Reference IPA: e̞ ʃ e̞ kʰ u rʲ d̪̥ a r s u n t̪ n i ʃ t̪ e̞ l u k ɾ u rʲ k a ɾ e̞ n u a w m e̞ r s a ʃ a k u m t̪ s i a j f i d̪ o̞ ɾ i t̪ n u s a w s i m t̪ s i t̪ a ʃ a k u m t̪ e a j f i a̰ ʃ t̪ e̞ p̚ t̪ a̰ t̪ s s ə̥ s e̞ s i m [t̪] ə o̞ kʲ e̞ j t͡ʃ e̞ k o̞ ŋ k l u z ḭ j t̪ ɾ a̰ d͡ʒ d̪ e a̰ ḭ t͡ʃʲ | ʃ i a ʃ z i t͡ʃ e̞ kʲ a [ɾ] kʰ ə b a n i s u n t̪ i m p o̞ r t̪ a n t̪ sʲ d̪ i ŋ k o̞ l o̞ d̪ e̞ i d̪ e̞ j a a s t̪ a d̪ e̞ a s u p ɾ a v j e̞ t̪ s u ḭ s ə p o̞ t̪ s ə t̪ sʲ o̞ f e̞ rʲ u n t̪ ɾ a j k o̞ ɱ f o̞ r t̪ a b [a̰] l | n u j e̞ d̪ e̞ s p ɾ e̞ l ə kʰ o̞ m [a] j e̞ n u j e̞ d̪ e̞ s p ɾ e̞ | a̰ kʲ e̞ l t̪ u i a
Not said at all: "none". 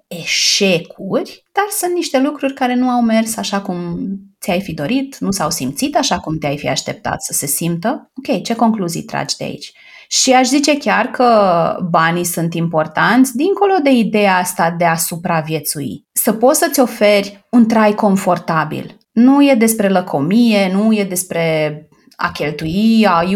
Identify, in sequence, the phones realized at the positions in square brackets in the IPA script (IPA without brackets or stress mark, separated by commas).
t̪, r, ḭ, i